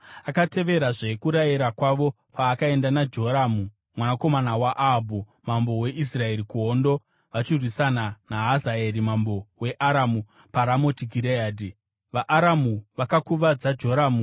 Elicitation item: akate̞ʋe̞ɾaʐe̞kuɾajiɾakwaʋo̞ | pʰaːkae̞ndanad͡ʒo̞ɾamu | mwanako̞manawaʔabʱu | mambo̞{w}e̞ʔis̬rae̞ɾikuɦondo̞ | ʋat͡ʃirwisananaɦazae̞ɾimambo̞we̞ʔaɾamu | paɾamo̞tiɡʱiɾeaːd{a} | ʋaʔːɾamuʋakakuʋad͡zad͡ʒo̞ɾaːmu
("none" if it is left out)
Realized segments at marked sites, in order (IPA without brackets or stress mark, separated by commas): w, i